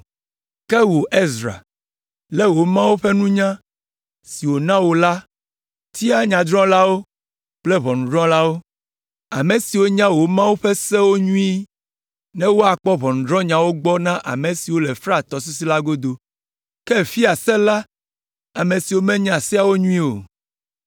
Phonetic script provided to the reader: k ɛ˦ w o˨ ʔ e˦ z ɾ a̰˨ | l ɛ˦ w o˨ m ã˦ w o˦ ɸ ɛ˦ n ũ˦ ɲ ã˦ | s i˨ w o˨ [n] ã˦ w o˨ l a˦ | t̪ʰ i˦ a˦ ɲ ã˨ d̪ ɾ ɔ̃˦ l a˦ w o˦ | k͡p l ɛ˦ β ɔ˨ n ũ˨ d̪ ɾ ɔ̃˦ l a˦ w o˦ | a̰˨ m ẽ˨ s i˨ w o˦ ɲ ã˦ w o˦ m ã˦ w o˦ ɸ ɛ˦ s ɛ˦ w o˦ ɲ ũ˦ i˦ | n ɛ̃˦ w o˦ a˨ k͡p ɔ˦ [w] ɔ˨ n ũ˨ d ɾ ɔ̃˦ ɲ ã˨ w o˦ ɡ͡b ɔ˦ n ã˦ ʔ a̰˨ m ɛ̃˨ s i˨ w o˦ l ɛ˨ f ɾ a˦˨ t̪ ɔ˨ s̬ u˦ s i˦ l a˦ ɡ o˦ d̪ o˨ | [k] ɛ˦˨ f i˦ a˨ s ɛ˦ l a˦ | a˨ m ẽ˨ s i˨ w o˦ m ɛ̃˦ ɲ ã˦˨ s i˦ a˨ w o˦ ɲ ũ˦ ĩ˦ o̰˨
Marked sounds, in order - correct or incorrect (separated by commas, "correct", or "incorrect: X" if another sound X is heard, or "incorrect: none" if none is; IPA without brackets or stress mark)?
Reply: correct, incorrect: β, correct